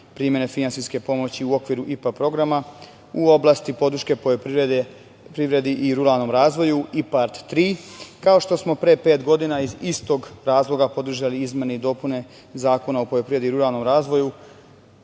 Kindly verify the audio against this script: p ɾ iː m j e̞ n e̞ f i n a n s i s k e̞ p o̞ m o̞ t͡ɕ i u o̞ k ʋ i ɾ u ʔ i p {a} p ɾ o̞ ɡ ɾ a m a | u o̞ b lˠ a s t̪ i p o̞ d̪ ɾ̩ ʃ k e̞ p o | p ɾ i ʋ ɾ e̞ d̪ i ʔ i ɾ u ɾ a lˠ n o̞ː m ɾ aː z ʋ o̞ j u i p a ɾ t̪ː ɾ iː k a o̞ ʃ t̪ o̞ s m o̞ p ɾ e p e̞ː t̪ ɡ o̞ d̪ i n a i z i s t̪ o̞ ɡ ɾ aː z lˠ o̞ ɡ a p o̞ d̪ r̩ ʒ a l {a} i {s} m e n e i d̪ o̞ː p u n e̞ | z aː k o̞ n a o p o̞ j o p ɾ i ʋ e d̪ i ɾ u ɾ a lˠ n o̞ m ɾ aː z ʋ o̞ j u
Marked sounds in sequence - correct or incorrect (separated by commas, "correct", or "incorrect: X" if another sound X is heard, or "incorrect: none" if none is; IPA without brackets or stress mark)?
correct, incorrect: i, incorrect: z